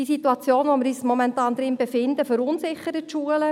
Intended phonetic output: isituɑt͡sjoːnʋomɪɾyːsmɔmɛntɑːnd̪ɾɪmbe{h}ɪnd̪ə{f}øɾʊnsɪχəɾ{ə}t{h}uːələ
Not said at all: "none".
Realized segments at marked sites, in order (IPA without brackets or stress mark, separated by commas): f, f, ə, ʃ